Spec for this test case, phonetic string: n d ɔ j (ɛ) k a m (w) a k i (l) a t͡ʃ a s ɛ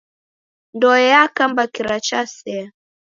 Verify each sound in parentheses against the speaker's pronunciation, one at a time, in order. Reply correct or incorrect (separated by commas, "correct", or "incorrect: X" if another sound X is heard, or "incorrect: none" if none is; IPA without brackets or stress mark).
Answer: incorrect: a, incorrect: b, incorrect: ɾ